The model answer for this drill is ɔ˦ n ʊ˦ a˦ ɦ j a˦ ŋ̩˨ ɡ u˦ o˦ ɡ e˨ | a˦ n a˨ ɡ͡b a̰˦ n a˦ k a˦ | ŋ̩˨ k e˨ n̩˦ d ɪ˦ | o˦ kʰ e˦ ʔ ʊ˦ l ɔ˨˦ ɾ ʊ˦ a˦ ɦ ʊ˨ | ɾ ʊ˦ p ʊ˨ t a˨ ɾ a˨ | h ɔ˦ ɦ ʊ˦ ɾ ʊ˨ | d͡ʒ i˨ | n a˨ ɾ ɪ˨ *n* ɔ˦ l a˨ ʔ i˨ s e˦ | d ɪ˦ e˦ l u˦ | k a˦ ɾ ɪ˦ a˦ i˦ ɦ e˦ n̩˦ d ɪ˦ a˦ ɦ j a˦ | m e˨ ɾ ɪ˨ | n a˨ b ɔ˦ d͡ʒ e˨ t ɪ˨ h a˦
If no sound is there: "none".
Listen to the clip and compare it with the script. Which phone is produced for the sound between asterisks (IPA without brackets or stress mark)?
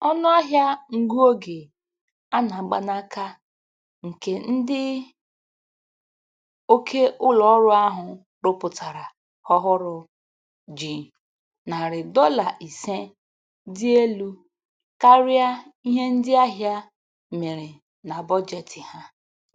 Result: d